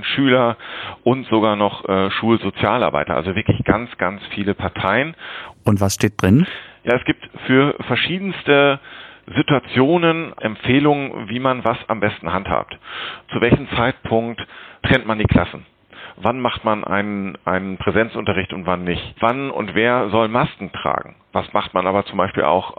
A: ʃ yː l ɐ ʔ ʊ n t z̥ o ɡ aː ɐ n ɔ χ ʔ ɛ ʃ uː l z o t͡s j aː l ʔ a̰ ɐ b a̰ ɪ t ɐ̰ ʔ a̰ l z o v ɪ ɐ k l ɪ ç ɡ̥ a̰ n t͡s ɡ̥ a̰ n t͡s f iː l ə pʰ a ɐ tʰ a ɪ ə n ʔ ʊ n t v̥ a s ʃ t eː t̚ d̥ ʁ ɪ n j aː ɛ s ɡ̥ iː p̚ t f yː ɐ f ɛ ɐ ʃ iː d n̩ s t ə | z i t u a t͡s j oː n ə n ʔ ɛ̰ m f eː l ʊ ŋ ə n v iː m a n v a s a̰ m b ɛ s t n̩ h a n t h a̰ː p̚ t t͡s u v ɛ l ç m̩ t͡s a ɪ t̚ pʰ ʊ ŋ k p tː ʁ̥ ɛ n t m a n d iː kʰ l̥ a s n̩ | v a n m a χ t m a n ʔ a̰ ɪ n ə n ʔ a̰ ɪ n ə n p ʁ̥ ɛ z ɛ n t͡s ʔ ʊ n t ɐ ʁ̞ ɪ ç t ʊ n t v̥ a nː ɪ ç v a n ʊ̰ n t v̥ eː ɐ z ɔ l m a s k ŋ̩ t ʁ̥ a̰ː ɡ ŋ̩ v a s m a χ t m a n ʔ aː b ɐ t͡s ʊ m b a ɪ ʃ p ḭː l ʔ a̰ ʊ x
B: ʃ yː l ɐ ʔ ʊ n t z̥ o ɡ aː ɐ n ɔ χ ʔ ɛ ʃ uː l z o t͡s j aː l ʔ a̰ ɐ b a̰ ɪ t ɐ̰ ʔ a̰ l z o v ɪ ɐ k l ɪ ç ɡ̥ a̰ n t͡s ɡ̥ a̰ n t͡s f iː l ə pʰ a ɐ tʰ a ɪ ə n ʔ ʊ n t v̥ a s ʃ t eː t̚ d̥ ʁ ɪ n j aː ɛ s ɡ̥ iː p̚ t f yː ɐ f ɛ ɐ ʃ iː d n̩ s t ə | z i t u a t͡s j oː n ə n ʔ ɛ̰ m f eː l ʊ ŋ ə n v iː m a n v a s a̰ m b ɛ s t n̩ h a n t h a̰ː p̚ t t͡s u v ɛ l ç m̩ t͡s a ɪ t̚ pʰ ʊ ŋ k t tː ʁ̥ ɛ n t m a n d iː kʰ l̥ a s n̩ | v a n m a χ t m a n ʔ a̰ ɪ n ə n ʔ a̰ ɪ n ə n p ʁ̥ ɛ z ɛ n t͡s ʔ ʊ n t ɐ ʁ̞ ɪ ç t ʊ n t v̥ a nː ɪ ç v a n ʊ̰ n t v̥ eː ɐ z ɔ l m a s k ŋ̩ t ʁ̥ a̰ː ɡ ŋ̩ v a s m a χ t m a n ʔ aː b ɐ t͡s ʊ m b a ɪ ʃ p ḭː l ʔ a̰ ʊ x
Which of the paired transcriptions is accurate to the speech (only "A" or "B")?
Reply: B